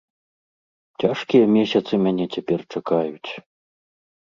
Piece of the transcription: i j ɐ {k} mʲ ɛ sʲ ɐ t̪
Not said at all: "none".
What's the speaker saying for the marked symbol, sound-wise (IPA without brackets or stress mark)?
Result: none